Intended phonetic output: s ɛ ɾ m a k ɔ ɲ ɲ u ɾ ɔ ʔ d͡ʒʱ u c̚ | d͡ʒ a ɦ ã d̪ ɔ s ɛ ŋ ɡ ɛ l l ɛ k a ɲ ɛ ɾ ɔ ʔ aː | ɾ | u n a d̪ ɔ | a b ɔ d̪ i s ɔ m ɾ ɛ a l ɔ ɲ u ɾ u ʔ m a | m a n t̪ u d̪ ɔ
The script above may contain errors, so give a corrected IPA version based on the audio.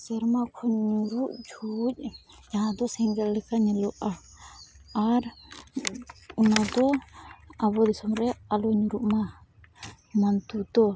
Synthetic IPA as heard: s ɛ ɾ m a kʰ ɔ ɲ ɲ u ɾ u ʔ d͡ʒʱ u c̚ | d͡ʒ a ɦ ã d̪ ɔ s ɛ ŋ ɡ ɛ l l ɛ k a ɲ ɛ l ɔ ʔ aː | ɾ | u n a d̪ ɔ | a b ɔ d̪ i s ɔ m ɾ ɛ a l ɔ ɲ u ɾ u ʔ m a | m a n t̪ u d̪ ɔ